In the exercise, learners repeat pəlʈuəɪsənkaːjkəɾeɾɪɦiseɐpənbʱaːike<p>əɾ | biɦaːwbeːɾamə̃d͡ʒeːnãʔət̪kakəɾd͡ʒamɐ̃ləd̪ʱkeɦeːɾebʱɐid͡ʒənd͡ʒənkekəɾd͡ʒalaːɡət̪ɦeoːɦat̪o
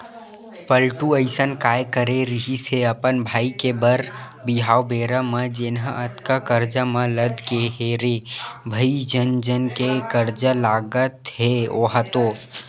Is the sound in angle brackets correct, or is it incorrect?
incorrect